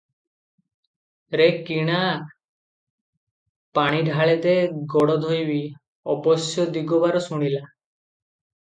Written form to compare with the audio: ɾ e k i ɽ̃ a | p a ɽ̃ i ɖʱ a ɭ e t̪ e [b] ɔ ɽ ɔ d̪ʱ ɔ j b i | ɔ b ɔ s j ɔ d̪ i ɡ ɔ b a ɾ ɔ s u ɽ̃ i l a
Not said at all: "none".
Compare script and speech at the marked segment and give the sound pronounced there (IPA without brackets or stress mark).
ɡ